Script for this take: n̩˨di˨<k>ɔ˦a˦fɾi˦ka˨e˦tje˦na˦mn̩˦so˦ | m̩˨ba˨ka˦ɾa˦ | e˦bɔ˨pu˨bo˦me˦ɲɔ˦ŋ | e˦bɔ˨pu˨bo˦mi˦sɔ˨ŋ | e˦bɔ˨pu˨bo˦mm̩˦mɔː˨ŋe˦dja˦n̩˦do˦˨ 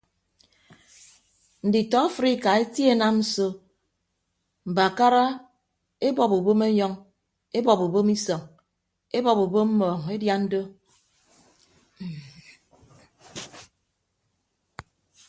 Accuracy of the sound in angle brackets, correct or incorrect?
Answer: incorrect: t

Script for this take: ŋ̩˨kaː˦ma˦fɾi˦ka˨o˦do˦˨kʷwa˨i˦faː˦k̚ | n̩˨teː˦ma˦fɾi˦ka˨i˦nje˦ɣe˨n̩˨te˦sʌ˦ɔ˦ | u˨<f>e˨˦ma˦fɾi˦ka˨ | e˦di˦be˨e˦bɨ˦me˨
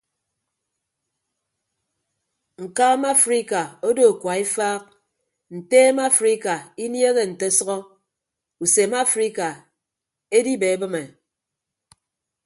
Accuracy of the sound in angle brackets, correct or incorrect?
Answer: incorrect: s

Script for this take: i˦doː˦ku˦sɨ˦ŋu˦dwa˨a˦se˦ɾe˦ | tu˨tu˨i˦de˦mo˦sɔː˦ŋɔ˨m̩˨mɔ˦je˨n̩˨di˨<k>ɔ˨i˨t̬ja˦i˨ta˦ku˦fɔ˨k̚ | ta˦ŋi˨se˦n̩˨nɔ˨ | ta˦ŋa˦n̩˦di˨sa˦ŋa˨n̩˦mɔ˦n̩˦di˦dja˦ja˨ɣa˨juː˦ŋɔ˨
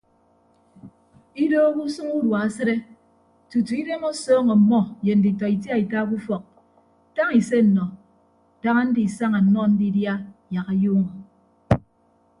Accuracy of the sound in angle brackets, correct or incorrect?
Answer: incorrect: t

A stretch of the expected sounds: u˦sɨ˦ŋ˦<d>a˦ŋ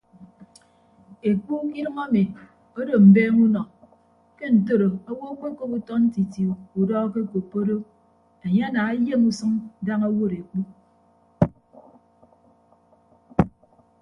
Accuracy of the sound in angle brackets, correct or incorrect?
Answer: correct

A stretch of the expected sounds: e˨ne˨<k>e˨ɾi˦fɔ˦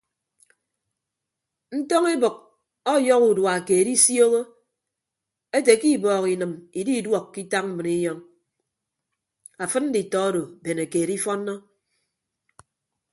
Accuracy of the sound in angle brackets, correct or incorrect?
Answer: correct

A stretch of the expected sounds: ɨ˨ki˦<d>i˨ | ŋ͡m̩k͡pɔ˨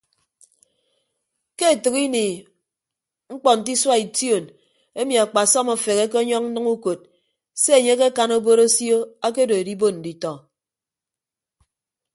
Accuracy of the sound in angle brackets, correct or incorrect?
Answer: incorrect: n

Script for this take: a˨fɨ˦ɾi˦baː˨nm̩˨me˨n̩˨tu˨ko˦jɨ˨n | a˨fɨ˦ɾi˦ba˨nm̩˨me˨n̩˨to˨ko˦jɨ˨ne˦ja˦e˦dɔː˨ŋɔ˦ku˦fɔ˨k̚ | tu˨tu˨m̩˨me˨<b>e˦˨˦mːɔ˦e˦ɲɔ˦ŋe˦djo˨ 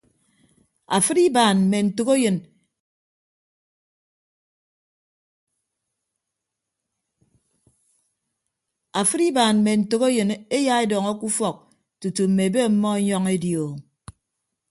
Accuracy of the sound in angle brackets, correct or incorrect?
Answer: correct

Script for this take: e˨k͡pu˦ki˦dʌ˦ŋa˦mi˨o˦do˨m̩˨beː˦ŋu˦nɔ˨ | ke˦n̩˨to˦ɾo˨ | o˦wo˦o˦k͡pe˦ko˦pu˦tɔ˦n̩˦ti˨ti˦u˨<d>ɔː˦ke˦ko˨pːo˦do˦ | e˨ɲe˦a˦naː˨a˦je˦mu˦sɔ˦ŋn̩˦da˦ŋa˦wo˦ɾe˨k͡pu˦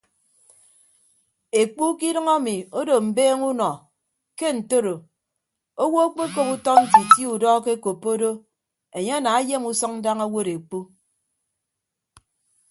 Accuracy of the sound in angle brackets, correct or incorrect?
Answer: correct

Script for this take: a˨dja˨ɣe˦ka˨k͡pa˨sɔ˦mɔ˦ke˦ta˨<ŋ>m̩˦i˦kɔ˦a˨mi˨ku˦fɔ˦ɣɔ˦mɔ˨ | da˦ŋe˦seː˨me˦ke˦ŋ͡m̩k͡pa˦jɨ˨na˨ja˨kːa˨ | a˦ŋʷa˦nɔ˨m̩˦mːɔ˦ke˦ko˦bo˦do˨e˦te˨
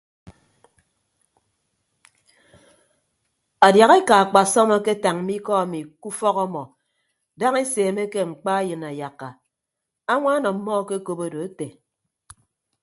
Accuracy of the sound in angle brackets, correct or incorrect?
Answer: correct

